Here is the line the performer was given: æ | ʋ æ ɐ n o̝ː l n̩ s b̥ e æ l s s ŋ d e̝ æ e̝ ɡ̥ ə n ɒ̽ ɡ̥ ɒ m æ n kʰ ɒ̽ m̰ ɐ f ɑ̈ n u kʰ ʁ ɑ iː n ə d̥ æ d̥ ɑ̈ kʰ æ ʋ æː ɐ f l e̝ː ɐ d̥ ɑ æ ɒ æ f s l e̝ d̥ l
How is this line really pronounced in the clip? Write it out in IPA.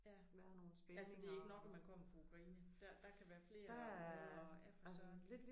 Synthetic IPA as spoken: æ | ʋ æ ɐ n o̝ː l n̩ s b̥ e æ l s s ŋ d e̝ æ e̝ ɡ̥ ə n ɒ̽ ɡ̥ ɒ m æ n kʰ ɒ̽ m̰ ɐ f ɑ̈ u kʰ ʁ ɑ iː n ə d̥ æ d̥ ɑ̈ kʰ æ ʋ æː ɐ f l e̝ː ɐ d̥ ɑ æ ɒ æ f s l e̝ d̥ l